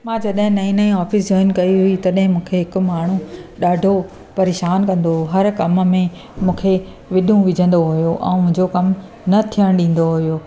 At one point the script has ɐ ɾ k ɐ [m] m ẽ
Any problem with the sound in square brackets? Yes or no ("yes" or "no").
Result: no